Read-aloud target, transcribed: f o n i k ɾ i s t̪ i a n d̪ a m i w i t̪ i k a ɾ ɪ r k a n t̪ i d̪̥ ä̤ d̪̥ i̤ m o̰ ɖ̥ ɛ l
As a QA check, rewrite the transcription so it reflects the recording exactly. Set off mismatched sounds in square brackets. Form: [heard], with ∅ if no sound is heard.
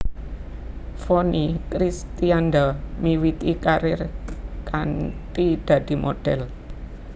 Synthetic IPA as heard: f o n i k ɾ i s t̪ i a n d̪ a m i w i t̪ i k a ɾ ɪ r k a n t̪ i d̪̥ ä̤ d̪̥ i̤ m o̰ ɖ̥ ɛ l